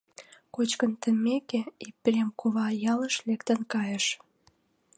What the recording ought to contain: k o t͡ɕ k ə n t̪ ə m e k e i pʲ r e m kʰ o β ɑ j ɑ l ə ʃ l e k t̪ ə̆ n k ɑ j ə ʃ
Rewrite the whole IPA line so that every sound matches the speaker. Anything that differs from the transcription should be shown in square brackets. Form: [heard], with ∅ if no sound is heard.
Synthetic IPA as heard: k o t͡ɕ k ə n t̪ ə m e k e i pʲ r e m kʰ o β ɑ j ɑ l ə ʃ l e k t̪ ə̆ n k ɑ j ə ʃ